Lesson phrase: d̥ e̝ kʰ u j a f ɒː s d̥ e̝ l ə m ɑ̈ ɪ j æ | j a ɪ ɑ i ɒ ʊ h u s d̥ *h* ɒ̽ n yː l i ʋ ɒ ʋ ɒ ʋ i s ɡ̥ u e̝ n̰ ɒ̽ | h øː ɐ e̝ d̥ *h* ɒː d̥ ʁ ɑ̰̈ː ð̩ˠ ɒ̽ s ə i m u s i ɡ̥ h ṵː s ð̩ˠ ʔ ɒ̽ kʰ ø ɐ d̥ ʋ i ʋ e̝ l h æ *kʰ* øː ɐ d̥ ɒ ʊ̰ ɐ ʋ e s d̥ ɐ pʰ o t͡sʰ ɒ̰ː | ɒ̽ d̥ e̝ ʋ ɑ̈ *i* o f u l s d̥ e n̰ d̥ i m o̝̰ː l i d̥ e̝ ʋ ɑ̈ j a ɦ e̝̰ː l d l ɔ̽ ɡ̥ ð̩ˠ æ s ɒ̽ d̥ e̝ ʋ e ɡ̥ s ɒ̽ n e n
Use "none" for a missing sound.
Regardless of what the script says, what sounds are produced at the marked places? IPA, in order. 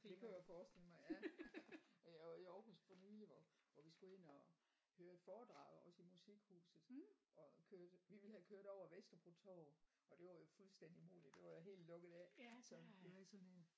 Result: f, f, kʰ, j

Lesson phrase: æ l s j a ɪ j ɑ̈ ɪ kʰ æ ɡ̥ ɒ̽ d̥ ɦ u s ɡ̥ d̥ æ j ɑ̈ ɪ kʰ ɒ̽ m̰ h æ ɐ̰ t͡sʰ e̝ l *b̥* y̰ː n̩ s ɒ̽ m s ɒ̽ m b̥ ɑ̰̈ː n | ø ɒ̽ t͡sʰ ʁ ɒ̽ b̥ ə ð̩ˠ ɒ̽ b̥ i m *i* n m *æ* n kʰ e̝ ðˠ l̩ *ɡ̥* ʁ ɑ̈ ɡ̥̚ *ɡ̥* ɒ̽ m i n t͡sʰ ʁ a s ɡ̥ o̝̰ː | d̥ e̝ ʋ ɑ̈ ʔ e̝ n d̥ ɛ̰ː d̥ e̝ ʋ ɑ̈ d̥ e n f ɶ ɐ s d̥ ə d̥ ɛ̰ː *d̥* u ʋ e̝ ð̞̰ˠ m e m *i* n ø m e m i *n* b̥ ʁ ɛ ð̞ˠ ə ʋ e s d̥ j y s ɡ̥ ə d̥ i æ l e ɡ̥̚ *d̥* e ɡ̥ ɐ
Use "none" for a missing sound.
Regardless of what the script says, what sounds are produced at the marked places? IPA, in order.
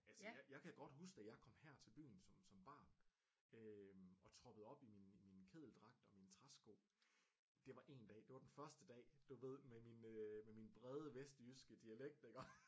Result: b̥, i, i, d̥, d̥, d̥, i, n, d̥

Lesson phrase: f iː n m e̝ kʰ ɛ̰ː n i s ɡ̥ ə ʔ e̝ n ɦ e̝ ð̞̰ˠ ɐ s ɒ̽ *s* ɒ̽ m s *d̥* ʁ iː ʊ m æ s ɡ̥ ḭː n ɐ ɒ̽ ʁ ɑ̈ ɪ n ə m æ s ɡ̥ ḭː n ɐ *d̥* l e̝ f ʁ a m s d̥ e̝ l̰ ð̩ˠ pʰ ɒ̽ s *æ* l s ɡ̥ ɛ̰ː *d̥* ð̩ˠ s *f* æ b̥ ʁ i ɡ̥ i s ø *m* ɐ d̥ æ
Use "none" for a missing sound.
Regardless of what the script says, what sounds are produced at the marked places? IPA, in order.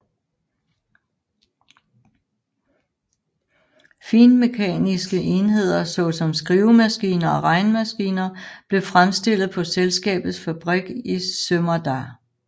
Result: s, ɡ̥, b̥, e, b̥, f, m

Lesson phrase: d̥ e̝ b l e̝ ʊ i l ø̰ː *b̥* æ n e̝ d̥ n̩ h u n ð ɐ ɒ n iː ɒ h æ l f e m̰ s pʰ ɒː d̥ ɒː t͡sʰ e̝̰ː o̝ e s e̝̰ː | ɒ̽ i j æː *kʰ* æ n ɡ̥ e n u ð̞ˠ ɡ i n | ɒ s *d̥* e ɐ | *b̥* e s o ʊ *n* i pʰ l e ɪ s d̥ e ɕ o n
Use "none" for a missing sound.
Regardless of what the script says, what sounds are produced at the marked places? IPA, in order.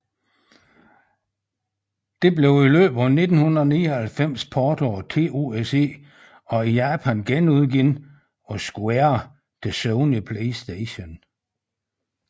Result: b̥, pʰ, ɡ̥, d̥, n

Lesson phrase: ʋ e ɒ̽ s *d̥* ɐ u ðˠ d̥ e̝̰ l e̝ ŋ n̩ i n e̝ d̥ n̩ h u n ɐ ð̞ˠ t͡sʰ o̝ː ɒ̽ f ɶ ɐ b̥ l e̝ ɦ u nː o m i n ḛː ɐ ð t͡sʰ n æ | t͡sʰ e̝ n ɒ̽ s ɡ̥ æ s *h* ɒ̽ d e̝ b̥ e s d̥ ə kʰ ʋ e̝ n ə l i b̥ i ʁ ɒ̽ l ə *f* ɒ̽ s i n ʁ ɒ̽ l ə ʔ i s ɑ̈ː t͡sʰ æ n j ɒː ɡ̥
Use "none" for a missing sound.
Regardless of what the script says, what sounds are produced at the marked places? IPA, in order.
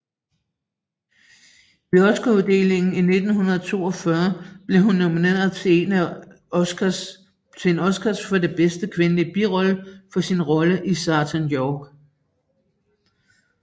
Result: ɡ̥, f, f

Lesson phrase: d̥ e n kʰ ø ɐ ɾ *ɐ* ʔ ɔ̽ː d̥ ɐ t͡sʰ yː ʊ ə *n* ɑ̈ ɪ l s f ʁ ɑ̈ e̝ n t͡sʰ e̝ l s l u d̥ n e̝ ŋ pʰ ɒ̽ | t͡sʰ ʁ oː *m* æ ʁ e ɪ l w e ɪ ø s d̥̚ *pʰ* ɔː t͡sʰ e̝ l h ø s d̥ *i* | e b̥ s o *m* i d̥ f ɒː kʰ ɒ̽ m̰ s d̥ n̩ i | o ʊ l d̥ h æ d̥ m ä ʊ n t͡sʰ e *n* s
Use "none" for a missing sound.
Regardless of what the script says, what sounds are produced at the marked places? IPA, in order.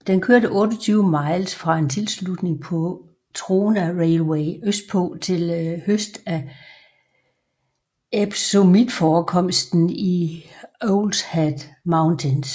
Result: ə, m, n, pʰ, æ, m, n

